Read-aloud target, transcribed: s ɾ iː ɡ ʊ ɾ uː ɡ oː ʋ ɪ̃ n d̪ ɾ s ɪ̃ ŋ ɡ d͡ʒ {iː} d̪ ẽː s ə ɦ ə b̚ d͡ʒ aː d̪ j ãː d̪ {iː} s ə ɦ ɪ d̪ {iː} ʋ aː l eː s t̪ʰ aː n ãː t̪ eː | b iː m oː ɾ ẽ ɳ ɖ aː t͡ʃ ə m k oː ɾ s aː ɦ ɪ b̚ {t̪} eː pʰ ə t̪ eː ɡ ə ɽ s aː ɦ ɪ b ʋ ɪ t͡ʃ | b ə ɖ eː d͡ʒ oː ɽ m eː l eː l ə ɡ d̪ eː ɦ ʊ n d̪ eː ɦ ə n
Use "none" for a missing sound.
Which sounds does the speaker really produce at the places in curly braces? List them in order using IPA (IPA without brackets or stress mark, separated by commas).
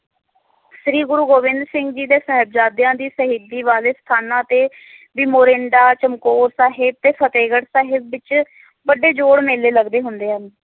iː, iː, iː, t̪